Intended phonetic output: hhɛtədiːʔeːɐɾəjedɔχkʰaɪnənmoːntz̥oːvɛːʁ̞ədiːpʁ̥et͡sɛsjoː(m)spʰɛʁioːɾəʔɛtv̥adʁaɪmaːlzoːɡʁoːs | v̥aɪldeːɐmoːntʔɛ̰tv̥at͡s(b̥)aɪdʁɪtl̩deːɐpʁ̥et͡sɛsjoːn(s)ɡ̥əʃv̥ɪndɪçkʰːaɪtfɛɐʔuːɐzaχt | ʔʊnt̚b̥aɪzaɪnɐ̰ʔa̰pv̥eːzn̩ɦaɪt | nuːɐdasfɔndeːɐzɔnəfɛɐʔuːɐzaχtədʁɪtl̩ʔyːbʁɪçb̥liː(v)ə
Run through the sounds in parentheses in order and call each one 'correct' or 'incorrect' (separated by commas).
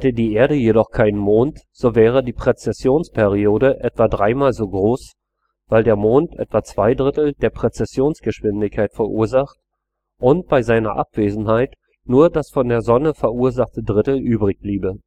incorrect, incorrect, correct, incorrect